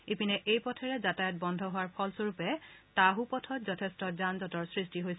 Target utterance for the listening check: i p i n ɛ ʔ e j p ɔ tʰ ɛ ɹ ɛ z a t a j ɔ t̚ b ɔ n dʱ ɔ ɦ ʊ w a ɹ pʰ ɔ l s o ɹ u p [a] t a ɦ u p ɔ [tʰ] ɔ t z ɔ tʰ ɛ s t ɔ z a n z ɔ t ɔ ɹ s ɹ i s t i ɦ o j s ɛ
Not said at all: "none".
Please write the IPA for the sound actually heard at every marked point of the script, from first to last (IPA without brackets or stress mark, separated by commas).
ɛ, tʰ